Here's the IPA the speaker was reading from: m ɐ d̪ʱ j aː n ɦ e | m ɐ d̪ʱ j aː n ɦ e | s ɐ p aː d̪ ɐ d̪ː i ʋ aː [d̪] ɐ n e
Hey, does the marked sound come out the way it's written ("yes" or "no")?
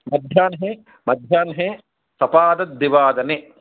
yes